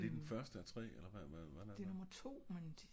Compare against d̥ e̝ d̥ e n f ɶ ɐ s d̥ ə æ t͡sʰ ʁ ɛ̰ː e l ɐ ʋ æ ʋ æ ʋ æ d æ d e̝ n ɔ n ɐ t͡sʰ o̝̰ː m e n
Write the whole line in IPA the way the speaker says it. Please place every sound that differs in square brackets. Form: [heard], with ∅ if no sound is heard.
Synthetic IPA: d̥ e̝ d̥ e n f ɶ ɐ s d̥ ə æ t͡sʰ ʁ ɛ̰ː e l ɐ ʋ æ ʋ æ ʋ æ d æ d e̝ n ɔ [m] ɐ t͡sʰ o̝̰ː m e n